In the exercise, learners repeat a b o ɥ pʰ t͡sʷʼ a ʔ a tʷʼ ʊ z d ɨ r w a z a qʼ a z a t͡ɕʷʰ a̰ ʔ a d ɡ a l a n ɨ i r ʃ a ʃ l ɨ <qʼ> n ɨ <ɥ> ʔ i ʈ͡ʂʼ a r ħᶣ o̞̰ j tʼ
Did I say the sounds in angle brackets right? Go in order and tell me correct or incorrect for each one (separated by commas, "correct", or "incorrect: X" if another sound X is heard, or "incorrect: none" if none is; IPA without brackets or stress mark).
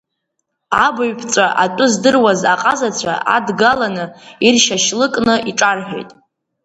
incorrect: kʼ, incorrect: none